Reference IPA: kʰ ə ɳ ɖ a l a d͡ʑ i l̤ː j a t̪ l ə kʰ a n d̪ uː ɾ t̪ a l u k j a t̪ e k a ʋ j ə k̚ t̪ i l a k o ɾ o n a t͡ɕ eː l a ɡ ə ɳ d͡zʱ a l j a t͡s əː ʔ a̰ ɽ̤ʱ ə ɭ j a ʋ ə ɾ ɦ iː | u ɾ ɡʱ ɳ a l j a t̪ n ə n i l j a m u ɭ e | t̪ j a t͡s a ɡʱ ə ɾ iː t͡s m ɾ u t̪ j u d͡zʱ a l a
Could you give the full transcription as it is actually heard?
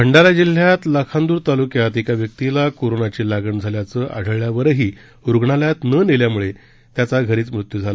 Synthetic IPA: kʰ ə ɳ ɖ a l a d͡ʑ i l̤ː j a t̪ l ə kʰ a n d̪ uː ɾ t̪ a l u k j a t̪ e k a ʋ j ə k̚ t̪ i l a k o ɾ o n a t͡ɕ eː l a ɡ ə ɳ d͡zʱ a l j a t͡s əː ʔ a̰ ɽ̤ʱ ə ɭ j a ʋ ə ɾ ɦ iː | u ɾ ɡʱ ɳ a l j a t̪ n ə n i l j a m u ɭ e | t̪ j a t͡s a ɡʱ ə ɾ iː t͡s m ɾ u t̪ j u d͡zʱ a l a

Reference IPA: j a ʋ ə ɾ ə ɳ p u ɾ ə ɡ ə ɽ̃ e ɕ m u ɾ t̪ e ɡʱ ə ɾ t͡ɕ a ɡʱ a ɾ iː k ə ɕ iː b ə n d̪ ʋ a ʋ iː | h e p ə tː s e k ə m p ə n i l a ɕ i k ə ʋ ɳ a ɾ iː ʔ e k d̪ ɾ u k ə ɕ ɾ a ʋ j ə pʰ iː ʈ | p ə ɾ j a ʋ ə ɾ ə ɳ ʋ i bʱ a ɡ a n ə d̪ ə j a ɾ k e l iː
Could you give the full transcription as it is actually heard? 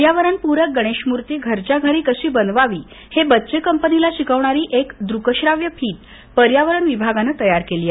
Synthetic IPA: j a ʋ ə ɾ ə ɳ p u ɾ ə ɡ ə ɽ̃ e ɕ m u ɾ t̪ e ɡʱ ə ɾ t͡ɕ a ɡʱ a ɾ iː k ə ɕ iː b ə n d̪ ʋ a ʋ iː | h e b ə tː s e k ə m p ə n i l a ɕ i k ə ʋ ɳ a ɾ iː ʔ e k d̪ ɾ u k ə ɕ ɾ a ʋ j ə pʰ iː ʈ | p ə ɾ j a ʋ ə ɾ ə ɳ ʋ i bʱ a ɡ a n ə t̪ ə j a ɾ k e l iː

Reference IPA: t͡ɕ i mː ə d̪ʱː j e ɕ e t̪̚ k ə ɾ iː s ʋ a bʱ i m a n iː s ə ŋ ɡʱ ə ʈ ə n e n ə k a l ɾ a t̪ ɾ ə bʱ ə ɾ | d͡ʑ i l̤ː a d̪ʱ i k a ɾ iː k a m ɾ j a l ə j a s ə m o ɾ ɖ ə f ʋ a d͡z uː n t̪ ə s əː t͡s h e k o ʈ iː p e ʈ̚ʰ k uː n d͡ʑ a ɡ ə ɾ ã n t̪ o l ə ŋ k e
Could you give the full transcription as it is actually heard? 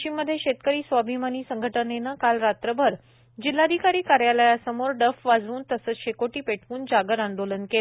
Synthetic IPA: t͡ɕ i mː ə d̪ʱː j e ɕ e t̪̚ k ə ɾ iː s ʋ a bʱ i m a n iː s ə ŋ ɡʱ ə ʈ ə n e n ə k a l ɾ a t̪ ɾ ə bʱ ə ɾ | d͡ʑ i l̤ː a d̪ʱ i k a ɾ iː k a ɾ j a l ə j a s ə m o ɾ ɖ ə f ʋ a d͡z uː n t̪ ə s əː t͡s ɕ e k o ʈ iː p e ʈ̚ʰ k uː n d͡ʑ a ɡ ə ɾ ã n d̪ o l ə n k e

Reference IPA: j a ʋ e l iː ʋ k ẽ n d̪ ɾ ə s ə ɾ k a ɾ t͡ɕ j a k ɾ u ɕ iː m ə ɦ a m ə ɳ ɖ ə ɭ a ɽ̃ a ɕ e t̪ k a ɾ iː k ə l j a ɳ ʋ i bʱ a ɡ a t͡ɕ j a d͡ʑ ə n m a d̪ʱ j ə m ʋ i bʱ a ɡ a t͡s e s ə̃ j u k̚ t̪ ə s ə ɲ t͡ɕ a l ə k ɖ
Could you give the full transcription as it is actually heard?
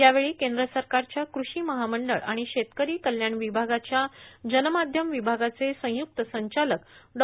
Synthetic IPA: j a ʋ e ɭ iː k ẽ n d̪ ɾ ə s ə ɾ k a ɾ t͡ɕ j a k ɾ u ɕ iː m ə ɦ a m ə ɳ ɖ ə ɭ a ɽ̃ i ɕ e t̪ k ə ɾ iː k ə l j a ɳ ʋ i bʱ a ɡ a t͡ɕ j a d͡ʑ ə n m a d̪ʱ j ə m ʋ i bʱ a ɡ a t͡s e s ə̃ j u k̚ t̪ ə s ə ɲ t͡ɕ a l ə k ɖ

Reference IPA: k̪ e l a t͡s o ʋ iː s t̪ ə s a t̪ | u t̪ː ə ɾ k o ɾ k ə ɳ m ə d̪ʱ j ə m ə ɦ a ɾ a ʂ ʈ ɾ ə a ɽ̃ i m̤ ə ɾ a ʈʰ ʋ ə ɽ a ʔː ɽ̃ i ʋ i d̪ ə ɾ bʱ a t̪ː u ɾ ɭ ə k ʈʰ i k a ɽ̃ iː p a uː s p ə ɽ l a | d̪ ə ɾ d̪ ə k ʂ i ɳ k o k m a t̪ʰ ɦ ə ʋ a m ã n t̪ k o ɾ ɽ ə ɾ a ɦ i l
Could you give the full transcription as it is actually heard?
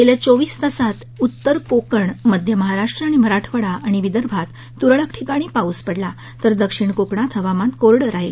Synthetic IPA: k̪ e l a t͡s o ʋ iː s t̪ ə s a t̪ | u t̪ː ə ɾ k o k ə ɳ m ə d̪ʱ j ə m ə ɦ a ɾ a ʂ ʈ ɾ ə a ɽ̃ i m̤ ə ɾ a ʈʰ ʋ ə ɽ a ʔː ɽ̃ i ʋ i d̪ ə ɾ bʱ a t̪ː u ɾ ɭ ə k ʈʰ i k a ɽ̃ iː p a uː s p ə ɽ l a | t̪ ə ɾ d̪ ə k ʂ i ɳ k o k ɳ a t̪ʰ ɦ ə ʋ a m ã n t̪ k o ɾ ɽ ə ɾ a ɦ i l

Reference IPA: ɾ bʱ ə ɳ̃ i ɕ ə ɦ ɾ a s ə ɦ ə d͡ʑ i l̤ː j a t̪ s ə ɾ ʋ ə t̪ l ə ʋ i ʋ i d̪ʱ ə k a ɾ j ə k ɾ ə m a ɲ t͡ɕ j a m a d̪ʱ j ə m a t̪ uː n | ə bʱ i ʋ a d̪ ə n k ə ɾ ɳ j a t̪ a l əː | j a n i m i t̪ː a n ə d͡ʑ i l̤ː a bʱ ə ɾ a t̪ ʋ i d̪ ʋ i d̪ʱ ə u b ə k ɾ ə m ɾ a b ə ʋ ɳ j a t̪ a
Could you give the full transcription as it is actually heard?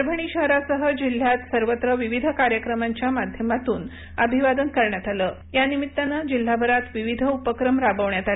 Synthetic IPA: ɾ bʱ ə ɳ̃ i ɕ ə ɦ ɾ a s ə ɦ ə d͡ʑ i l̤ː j a t̪ s ə ɾ ʋ ə t̪ ɾ ə ʋ i ʋ i d̪ʱ ə k a ɾ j ə k ɾ ə m a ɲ t͡ɕ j a m a d̪ʱ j ə m a t̪ uː n | ə bʱ i ʋ a d̪ ə n k ə ɾ ɳ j a t̪ a l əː | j a n i m i t̪ː a n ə d͡ʑ i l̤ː a bʱ ə ɾ a t̪ ʋ i ʋ i d̪ʱ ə u p ə k ɾ ə m ɾ a b ə ʋ ɳ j a t̪ a

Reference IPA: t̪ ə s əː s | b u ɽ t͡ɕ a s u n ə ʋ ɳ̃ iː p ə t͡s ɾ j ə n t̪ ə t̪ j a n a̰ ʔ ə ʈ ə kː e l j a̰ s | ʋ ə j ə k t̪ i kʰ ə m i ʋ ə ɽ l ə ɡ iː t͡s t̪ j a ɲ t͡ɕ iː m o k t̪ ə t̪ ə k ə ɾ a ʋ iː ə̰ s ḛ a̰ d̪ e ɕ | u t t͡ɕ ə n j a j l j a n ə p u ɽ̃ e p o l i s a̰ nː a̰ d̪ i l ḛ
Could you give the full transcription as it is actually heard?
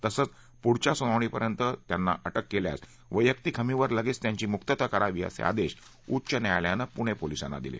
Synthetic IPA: t̪ ə s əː t͡s | p u ɽ t͡ɕ a s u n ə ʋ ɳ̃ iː p ə ɾ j ə n t̪ ə t̪ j a nː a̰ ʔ ə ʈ ə kː e l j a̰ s | ʋ ə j ə k t̪ i kʰ ə m i ʋ ə ɾ l ə ɡ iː t͡s t̪ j a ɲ t͡ɕ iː m u k t̪ ə t̪ ə k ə ɾ a ʋ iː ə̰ s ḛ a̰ d̪ e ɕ | u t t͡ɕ ə n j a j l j a n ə p u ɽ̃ e p o l i s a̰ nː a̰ d̪ i l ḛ

